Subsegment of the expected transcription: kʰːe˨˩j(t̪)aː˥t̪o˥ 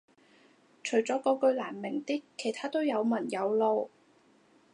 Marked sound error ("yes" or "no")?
yes